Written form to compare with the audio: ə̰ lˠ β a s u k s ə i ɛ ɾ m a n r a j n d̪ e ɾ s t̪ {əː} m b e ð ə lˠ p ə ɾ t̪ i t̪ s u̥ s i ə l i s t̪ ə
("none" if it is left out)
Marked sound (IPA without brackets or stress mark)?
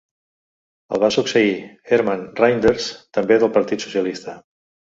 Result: ə